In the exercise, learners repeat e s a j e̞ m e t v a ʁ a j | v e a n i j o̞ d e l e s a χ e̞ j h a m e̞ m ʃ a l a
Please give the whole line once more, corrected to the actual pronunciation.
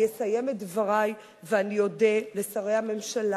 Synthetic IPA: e s a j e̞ m e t v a ʁ a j | v e a n i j o̞ d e l e s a ʁ e̞ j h a m e̞ m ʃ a l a